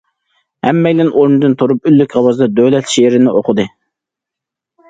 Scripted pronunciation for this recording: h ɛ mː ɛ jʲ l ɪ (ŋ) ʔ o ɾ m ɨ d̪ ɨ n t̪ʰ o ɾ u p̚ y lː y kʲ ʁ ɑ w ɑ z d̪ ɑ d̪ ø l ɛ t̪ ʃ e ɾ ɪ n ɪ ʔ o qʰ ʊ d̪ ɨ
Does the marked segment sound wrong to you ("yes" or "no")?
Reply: yes